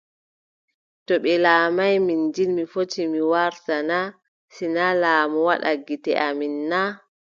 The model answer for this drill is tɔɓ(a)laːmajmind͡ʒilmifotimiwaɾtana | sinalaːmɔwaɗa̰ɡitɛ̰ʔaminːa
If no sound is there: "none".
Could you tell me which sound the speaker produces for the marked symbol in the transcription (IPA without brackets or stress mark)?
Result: ɛ